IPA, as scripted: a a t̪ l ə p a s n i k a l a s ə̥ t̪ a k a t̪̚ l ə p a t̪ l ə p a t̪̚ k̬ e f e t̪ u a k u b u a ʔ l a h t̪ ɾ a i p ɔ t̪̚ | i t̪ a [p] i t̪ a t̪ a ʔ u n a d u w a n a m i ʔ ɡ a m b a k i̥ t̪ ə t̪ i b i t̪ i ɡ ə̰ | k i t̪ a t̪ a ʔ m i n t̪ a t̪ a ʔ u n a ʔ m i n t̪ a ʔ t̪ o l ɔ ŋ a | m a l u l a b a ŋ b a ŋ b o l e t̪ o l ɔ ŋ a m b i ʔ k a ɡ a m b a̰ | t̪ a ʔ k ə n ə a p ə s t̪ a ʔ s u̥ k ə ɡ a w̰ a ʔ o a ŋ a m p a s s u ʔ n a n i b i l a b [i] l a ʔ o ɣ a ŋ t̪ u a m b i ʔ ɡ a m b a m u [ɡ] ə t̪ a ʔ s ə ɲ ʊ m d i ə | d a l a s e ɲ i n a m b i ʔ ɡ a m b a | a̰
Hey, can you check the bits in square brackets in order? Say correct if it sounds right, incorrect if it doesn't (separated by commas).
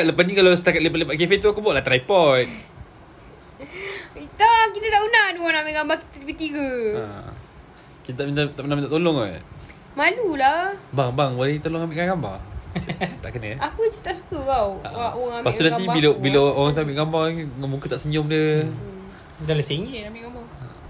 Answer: incorrect, correct, incorrect